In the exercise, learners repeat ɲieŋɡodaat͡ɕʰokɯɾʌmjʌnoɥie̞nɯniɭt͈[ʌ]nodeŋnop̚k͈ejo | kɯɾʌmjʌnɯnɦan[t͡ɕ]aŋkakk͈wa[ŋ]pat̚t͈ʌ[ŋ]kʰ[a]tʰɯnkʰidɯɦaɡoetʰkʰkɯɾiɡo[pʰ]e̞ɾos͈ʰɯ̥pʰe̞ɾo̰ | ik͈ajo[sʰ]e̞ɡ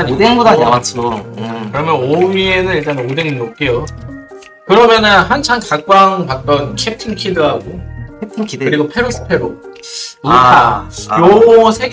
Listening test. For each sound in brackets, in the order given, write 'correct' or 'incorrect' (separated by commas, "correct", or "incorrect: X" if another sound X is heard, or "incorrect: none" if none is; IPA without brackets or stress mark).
incorrect: a, incorrect: t͡ɕʰ, correct, incorrect: n, incorrect: e, correct, correct